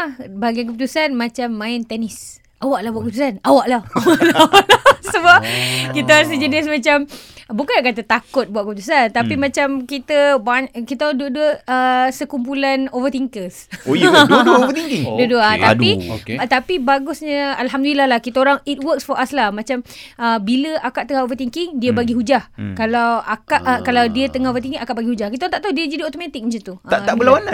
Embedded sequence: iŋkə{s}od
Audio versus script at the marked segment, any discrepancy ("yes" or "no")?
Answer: no